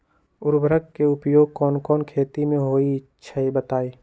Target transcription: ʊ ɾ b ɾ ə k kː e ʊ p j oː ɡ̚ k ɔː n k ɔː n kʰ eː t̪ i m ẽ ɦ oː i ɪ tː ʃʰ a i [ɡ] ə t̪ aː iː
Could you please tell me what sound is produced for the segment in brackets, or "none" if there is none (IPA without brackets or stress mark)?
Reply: b